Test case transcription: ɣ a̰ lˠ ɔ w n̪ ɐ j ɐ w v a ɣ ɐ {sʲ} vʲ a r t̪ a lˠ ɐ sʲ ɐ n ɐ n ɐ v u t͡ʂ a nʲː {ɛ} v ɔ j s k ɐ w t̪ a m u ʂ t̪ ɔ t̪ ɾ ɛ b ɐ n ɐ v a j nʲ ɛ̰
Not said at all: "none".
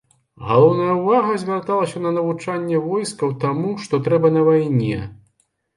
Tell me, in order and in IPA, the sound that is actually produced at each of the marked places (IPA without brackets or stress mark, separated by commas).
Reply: zʲ, ɛ